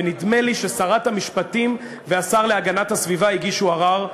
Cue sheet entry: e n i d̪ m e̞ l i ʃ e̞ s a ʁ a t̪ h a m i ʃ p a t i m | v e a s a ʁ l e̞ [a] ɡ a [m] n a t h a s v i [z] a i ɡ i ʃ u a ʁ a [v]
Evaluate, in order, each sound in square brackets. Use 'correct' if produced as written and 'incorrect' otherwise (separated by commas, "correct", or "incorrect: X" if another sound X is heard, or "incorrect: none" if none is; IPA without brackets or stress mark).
correct, incorrect: none, incorrect: v, incorrect: ʁ